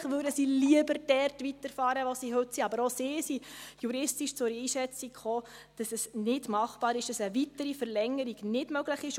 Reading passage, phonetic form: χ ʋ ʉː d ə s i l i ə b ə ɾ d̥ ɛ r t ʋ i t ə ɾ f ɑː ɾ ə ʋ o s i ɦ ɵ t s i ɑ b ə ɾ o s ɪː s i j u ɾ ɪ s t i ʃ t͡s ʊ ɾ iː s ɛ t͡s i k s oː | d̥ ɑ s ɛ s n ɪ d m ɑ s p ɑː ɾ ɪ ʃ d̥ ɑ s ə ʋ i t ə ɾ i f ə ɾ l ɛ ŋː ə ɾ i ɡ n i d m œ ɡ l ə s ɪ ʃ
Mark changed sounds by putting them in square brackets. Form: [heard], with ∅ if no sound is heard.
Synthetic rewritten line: χ ʋ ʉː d ə s i l i ə b ə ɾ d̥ ɛ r t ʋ i t ə ɾ f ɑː ɾ ə ʋ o s i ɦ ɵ t s i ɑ b ə ɾ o s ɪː s i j u ɾ ɪ s t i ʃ t͡s ʊ ɾ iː [ʃ] ɛ t͡s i k [χ] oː | d̥ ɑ s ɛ s n ɪ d m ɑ [χ] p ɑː ɾ ɪ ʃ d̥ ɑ s ə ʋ i t ə ɾ i f ə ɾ l ɛ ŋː ə ɾ i ɡ n [ɪ] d m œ ɡ l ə [χ] ɪ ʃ